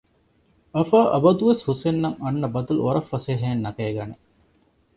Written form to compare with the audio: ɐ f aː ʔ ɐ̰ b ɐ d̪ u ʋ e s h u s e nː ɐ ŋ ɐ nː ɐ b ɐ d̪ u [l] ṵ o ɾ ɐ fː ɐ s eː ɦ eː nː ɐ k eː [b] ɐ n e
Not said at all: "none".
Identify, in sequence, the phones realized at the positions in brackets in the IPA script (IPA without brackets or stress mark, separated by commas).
l, ɡ